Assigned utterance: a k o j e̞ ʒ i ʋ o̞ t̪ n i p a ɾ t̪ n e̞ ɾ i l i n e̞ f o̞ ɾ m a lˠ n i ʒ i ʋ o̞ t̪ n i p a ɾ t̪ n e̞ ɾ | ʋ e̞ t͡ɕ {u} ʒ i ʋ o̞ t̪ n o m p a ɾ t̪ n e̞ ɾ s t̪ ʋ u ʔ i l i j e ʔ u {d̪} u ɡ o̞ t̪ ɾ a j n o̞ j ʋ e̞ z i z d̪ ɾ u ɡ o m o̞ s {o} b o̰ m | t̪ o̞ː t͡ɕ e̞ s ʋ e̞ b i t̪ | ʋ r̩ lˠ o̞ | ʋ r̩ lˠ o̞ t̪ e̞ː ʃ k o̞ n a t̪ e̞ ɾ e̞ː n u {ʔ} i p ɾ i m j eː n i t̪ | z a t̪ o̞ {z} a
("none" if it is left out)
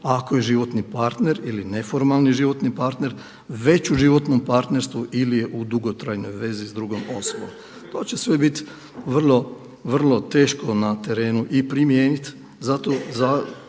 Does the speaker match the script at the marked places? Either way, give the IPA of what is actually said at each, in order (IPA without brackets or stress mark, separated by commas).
u, d̪, o, ʔ, z